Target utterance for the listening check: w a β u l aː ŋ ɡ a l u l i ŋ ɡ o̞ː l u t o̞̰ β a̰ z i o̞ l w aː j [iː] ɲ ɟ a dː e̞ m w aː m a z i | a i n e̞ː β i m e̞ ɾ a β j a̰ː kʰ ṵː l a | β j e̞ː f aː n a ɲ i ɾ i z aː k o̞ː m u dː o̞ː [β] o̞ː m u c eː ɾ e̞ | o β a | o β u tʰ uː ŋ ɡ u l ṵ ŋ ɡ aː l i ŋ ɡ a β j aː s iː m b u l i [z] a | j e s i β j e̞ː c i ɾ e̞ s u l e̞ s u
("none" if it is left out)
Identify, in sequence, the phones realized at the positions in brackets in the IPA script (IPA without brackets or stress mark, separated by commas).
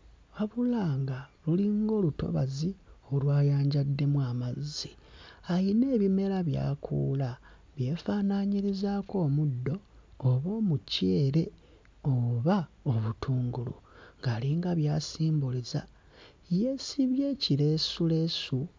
aː, β, z